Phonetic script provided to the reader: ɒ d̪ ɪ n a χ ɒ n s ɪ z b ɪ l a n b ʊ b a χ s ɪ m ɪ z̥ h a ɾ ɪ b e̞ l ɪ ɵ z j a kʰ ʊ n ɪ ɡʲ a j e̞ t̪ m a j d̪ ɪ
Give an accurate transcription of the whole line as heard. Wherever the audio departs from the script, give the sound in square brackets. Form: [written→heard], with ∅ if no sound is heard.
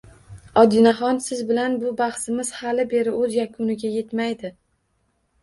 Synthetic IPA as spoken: ɒ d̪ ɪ n a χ ɒ n s ɪ z b ɪ l a n b ʊ b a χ s ɪ m ɪ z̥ h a [ɾ→l] ɪ b e̞ [l→ɾ] ɪ ɵ z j a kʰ ʊ n ɪ ɡʲ a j e̞ t̪ m a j d̪ ɪ

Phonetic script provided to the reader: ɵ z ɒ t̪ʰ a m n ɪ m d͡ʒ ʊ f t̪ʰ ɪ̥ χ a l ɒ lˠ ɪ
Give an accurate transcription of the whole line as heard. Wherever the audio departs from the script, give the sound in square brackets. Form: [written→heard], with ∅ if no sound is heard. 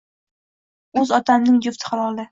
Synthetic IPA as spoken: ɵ z ɒ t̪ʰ a m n ɪ [m→ŋ] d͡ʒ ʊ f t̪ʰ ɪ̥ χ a l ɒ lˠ ɪ

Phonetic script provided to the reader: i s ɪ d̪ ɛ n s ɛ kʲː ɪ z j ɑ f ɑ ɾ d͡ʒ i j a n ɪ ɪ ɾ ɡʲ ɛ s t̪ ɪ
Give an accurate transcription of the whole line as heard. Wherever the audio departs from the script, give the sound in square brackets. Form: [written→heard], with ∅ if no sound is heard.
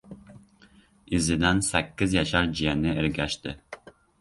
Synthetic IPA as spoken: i [s→z] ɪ d̪ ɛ n s ɛ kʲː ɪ z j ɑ [f→ʃ] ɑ ɾ d͡ʒ i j [a→ɛ] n ɪ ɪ ɾ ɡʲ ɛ [s→ʃ] t̪ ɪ

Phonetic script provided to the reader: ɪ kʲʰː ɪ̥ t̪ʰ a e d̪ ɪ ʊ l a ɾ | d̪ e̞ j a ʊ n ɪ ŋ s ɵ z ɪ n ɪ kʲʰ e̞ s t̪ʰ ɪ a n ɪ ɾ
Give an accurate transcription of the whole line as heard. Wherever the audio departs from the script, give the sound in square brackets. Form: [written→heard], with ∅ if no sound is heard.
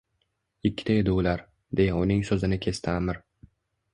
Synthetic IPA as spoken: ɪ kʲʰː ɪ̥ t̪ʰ a e d̪ ɪ ʊ l a ɾ | d̪ e̞ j a ʊ n ɪ ŋ s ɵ z ɪ n ɪ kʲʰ e̞ s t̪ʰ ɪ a [n→m] ɪ ɾ

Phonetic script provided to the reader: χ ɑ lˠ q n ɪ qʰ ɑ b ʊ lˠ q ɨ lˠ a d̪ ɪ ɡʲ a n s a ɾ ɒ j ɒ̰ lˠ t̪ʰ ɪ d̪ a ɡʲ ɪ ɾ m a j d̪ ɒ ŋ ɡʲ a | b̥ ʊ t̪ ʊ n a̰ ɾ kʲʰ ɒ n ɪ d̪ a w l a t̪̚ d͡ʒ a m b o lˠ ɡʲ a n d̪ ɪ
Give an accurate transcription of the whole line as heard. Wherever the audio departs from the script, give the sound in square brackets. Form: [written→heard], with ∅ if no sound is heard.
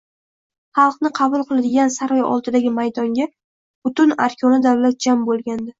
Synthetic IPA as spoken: χ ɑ lˠ q n ɪ qʰ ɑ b ʊ lˠ q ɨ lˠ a d̪ ɪ ɡʲ a n s a ɾ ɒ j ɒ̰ lˠ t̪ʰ ɪ d̪ a ɡʲ ɪ [ɾ→∅] m a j d̪ ɒ ŋ ɡʲ a | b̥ ʊ t̪ ʊ n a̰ ɾ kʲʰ ɒ n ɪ d̪ a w l a t̪̚ d͡ʒ a m b o lˠ ɡʲ a n d̪ ɪ

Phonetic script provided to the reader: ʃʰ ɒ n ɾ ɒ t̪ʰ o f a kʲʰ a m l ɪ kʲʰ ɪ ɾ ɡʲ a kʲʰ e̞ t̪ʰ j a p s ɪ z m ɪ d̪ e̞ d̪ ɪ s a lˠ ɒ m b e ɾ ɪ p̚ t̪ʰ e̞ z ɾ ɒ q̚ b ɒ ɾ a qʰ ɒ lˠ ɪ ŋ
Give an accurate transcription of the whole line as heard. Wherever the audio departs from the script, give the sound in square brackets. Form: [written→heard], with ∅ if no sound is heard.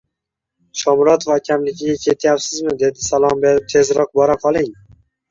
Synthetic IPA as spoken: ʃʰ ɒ [n→m] ɾ ɒ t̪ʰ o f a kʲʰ a m l ɪ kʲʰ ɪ [ɾ→∅] ɡʲ a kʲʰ e̞ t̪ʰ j a p s ɪ z m ɪ d̪ e̞ d̪ ɪ s a lˠ ɒ m b e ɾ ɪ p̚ t̪ʰ e̞ z ɾ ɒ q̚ b ɒ ɾ a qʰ ɒ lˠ ɪ ŋ

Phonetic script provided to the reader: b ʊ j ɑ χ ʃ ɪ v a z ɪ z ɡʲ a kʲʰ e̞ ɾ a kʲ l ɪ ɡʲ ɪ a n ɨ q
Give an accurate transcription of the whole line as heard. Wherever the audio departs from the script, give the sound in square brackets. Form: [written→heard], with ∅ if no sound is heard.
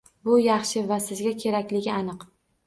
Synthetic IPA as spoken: b ʊ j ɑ χ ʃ ɪ v a [z→s] ɪ z ɡʲ a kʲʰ e̞ ɾ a kʲ l ɪ ɡʲ ɪ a n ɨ q

